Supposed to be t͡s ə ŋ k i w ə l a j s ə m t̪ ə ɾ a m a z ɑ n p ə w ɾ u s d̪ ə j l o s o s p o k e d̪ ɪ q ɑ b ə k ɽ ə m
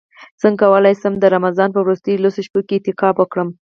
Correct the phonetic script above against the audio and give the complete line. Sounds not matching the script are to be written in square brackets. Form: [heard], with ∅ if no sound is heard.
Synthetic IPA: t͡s ə ŋ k [a] w ə l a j s ə m [d̪] ə ɾ a m a z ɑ n p ə w ɾ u s [t̪] ə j l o s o [ʃ] p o k e [t̪] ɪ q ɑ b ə k ɽ ə m

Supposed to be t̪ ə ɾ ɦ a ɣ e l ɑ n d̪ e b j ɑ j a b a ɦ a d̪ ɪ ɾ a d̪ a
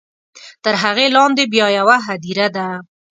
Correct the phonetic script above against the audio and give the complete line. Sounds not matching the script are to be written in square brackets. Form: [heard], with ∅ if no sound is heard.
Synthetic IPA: t̪ ə ɾ ɦ a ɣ e l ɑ n d̪ e b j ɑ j a [w] a ɦ a d̪ [i] ɾ a d̪ a

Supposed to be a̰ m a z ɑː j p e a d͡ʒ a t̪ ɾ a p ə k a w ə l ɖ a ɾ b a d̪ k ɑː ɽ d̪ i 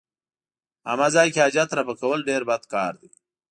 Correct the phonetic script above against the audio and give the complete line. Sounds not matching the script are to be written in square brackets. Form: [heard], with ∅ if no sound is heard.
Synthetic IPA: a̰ m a z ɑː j [k] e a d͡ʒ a t̪ ɾ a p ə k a w ə l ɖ [e] ɾ b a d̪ k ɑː [ɾ] d̪ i

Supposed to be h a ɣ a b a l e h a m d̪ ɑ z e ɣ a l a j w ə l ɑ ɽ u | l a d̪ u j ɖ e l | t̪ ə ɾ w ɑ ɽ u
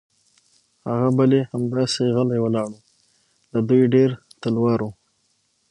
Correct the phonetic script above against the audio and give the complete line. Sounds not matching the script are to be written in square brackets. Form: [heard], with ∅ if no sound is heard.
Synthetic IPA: h a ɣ a b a l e h a m d̪ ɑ [s] e ɣ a l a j w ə l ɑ ɽ u | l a d̪ u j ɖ e [ɾ] | t̪ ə [l] w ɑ [ɾ] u

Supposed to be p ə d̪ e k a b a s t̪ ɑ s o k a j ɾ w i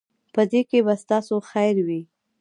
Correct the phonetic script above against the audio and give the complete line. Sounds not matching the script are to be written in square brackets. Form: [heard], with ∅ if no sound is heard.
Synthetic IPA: p ə d̪ e k [e] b a s t̪ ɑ s o [x] a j ɾ w i

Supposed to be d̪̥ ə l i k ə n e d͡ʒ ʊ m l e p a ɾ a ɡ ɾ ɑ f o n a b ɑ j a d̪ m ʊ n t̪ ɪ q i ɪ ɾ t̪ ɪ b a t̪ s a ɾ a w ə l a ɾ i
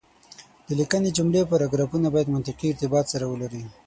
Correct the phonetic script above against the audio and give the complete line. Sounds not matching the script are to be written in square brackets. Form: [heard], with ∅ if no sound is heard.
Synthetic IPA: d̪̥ ə l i k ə n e d͡ʒ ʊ m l e p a ɾ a ɡ ɾ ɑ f [u] n a b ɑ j a d̪ m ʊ n t̪ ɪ q i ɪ ɾ t̪ ɪ b [ɑ] t̪ s a ɾ a w ə l a ɾ i

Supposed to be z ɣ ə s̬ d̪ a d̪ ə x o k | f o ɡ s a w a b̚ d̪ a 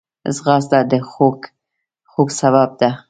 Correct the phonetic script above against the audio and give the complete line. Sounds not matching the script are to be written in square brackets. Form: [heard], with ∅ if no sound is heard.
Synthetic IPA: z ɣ [ɑ] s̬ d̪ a d̪ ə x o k | [x] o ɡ s a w a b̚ d̪ a

